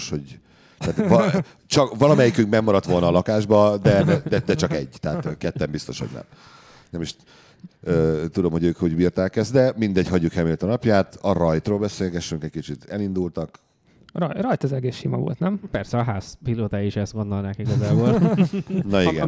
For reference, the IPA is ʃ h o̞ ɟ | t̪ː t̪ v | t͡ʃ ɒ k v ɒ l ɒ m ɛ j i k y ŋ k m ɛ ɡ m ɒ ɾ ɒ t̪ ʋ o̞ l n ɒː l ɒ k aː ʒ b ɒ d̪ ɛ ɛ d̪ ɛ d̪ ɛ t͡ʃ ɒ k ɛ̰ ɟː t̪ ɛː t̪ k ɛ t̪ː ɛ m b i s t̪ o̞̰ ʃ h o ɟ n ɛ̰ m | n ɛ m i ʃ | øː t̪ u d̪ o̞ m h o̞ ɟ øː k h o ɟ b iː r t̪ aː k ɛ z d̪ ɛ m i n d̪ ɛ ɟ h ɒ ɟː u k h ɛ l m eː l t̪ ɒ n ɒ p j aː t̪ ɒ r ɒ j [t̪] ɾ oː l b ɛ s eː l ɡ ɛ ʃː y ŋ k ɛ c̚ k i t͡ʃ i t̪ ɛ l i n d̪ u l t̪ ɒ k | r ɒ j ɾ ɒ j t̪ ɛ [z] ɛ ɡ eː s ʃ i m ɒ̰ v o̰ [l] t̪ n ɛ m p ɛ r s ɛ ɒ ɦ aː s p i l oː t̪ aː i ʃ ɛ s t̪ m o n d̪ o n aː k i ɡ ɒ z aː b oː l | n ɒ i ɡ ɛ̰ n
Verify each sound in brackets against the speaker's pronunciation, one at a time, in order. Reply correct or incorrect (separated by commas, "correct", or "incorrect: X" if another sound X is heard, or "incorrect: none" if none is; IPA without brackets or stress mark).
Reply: correct, correct, correct